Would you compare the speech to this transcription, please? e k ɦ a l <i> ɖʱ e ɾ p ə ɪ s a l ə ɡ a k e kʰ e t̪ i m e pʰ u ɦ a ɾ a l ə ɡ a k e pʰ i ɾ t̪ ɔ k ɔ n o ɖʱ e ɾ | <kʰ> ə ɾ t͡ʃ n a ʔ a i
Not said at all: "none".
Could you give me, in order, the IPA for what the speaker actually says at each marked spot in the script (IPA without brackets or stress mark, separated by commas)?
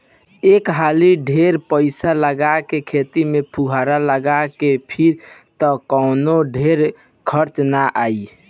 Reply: i, kʰ